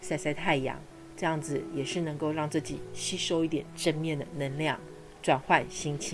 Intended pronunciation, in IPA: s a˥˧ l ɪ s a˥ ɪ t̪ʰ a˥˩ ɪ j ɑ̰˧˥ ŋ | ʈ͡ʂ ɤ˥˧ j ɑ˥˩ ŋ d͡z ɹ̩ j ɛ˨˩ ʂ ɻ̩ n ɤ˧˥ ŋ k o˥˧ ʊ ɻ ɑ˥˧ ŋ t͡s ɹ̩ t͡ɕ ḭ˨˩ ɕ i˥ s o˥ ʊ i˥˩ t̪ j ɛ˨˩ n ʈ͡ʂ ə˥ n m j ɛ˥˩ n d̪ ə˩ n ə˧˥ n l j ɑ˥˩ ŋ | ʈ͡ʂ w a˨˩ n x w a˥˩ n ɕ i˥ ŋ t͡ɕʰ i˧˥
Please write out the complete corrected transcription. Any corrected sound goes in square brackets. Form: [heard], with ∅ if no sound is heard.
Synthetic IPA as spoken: s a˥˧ [∅] ɪ s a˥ ɪ t̪ʰ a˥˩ ɪ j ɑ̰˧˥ ŋ | ʈ͡ʂ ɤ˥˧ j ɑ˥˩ ŋ d͡z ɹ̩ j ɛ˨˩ ʂ ɻ̩ n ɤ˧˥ ŋ k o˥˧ ʊ ɻ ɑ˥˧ ŋ t͡s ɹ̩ t͡ɕ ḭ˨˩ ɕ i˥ [ʂ] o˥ ʊ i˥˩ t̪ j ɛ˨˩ n ʈ͡ʂ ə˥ n m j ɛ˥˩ n d̪ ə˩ n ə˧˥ n l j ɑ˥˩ ŋ | ʈ͡ʂ w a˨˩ n x w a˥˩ n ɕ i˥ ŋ t͡ɕʰ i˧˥